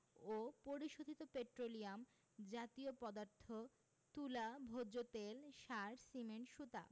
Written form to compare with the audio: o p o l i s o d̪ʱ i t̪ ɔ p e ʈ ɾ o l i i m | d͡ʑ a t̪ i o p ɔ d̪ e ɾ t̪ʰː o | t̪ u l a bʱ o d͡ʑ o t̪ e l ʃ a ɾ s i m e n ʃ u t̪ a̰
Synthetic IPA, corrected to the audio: o p o ɾ i ʃ o d̪ʱ i t̪ o p e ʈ ɾ o l i a m | d͡ʑ a t̪ i o p ɔ d̪ a ɾ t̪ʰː o | t̪ u l a bʱ o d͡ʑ o t̪ e l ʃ a ɾ s i m e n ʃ u t̪ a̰